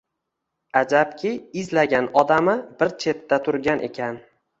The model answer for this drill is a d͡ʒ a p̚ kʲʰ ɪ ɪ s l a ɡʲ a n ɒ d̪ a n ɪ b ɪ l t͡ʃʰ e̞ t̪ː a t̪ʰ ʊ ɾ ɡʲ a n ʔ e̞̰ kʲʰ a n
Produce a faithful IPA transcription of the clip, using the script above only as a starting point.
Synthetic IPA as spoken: a d͡ʒ a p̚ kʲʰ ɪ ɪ z l a ɡʲ a n ɒ d̪ a m ɪ b ɪ ɾ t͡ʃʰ e̞ t̪ː a t̪ʰ ʊ ɾ ɡʲ a n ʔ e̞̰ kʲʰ a n